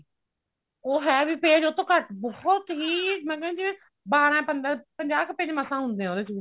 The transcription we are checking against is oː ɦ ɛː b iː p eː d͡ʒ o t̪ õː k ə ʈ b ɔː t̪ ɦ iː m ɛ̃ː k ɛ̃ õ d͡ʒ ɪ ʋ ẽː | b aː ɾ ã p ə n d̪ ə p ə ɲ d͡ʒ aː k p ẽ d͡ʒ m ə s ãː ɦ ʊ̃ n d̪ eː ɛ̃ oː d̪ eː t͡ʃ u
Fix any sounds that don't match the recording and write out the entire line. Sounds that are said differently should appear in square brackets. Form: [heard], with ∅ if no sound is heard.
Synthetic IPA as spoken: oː ɦ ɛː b iː p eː d͡ʒ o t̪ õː k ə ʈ b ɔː t̪ ɦ iː m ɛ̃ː k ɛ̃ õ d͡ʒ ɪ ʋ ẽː | b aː ɾ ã p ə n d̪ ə p ə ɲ d͡ʒ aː k p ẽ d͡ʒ m ə s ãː ɦ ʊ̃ n d̪ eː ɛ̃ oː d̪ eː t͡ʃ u

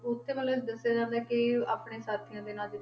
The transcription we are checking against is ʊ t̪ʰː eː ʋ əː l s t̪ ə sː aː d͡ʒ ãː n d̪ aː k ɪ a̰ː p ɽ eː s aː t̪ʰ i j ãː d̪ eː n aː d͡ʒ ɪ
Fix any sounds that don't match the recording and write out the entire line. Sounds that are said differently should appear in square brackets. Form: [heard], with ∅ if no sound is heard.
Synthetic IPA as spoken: ʊ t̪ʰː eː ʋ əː l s [d̪] ə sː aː d͡ʒ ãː n d̪ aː k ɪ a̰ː p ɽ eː s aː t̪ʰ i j ãː d̪ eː n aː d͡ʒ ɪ

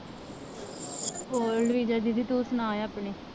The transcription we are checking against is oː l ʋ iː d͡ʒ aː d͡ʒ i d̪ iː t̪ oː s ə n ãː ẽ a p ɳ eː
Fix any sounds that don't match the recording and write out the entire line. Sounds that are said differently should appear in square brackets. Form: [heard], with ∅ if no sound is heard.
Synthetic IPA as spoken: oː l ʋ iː d͡ʒ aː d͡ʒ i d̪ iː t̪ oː s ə n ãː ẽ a p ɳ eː

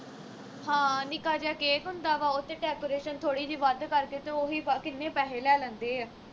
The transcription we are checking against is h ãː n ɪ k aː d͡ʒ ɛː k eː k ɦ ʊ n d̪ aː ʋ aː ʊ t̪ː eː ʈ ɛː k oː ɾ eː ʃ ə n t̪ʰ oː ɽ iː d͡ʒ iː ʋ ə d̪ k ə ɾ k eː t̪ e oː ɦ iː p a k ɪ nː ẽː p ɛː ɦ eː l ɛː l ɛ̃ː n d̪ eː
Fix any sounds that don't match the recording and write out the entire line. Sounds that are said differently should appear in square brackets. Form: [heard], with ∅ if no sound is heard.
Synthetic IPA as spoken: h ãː n ɪ k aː d͡ʒ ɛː k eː k ɦ ʊ n d̪ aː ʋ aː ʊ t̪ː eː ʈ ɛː k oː ɾ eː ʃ ə n t̪ʰ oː ɽ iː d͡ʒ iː ʋ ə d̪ k ə ɾ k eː t̪ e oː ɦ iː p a k ɪ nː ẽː p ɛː ɦ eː l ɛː l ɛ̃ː n d̪ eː

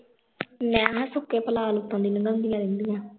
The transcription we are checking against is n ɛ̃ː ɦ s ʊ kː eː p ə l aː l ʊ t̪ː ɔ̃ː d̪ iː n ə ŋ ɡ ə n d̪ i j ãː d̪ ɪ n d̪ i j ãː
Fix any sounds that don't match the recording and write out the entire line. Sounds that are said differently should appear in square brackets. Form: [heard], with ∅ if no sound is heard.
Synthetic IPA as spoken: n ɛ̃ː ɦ s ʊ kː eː p ə l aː l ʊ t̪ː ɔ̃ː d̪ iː n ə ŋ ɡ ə n d̪ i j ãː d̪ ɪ n d̪ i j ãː

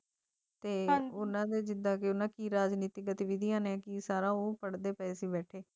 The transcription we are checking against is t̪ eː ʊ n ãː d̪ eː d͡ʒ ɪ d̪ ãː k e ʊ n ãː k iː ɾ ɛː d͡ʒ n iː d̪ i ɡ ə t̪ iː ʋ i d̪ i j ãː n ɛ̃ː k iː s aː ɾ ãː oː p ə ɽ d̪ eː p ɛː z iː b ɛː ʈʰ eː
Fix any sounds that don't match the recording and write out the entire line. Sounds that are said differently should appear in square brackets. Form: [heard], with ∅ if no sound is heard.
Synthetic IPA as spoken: t̪ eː ʊ n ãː d̪ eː d͡ʒ ɪ d̪ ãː k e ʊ n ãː k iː ɾ [aː] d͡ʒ n iː [t̪] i ɡ ə t̪ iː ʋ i d̪ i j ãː n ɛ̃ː k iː s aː ɾ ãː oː p ə ɽ d̪ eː p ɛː [s] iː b ɛː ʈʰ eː

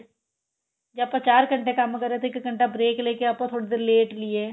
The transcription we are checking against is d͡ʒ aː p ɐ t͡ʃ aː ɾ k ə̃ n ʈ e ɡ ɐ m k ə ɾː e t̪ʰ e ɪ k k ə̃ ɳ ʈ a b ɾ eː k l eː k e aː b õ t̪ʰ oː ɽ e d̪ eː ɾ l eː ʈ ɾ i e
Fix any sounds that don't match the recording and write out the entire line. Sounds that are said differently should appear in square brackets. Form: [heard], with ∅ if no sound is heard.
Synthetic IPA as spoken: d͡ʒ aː p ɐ t͡ʃ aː ɾ k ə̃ [ɳ] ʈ e [k] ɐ m k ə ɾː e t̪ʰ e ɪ k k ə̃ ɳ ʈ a b ɾ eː k l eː k e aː [p] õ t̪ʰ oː ɽ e d̪ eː ɾ l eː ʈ [l] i e

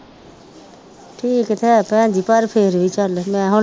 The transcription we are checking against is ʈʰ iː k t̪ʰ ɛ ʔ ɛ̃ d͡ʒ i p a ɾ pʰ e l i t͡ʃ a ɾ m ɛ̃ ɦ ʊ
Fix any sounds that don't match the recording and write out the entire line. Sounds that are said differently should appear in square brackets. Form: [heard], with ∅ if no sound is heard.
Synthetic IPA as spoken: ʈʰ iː k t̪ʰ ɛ [p] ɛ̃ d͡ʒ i p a ɾ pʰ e [ɾ] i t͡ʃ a [l] m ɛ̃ ɦ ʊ

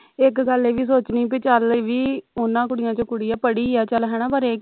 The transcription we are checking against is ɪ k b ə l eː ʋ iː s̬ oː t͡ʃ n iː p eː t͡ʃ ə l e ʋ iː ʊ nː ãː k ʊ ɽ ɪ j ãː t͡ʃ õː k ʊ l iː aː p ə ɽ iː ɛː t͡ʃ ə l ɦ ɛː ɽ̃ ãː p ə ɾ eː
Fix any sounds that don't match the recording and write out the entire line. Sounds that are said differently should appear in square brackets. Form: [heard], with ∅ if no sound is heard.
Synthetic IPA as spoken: ɪ k [ɡ] ə l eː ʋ iː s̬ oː t͡ʃ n iː p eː t͡ʃ ə l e ʋ iː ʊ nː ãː k ʊ ɽ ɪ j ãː t͡ʃ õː k ʊ [ɽ] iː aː p ə ɽ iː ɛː t͡ʃ ə l ɦ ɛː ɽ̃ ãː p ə ɾ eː

